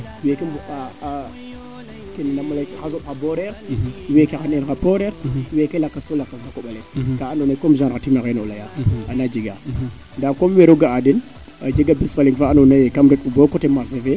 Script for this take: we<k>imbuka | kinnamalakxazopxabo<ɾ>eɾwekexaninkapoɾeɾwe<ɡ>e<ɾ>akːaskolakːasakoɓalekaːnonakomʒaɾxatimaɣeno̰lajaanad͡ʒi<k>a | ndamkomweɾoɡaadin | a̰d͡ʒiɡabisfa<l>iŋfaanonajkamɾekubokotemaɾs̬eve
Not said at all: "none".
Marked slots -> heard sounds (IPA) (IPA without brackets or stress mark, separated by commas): k, ɾ, k, l, ɡ, l